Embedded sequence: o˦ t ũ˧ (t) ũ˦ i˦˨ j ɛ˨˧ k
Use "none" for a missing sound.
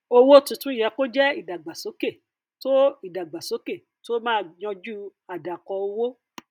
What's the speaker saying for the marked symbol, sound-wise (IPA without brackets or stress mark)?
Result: t